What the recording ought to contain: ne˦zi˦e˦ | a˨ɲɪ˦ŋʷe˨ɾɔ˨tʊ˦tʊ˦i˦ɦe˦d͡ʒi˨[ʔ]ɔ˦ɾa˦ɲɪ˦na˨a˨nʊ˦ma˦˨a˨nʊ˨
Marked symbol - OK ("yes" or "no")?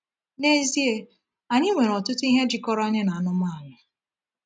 no